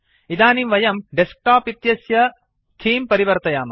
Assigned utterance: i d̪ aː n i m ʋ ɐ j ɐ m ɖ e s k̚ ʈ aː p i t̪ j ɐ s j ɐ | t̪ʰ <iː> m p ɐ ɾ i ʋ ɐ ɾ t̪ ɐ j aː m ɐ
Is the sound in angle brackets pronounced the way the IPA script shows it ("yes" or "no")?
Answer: yes